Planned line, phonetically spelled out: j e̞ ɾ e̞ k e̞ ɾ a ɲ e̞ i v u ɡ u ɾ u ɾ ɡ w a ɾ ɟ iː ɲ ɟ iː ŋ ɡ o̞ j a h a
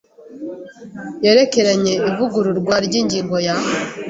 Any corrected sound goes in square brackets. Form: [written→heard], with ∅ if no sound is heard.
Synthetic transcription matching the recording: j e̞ ɾ e̞ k e̞ ɾ a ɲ e̞ i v u ɡ u ɾ u ɾ ɡ w a ɾ ɟ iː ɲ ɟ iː ŋ ɡ o̞ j a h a